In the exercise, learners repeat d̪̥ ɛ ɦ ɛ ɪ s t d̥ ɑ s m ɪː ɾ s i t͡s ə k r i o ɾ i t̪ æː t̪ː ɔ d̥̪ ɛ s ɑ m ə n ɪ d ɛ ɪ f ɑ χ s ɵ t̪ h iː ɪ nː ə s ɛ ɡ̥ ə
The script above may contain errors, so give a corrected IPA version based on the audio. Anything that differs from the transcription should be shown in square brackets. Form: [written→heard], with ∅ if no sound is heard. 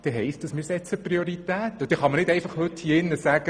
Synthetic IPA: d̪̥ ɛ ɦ ɛ ɪ s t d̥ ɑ s m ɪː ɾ s [i→ɛ] t͡s ə [k→p] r i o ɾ i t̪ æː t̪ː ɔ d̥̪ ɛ [s→χ] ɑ m ə n ɪ d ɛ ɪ f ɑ χ [s→h] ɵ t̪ h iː ɪ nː ə s [ɛ→æ] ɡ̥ ə